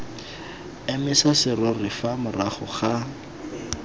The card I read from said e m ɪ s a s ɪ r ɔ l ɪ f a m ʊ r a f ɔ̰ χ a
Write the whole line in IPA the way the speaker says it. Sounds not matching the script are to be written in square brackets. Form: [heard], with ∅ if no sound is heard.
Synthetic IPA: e m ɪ s a s ɪ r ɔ [r] ɪ f a m ʊ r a [χ] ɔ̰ χ a